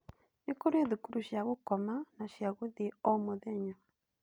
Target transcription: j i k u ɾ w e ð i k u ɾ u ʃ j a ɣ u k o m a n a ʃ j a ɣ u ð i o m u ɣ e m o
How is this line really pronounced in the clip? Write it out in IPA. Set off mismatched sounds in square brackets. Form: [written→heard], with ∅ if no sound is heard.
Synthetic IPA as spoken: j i k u ɾ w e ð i k u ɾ u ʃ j a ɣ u k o m a n a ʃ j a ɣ u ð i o m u [ɣ→ð] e [m→ɲ] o